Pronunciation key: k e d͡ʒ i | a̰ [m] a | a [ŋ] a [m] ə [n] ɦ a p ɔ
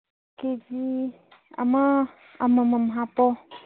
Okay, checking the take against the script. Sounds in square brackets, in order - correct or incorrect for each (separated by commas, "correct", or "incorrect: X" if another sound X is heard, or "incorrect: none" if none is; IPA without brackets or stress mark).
correct, incorrect: m, correct, incorrect: m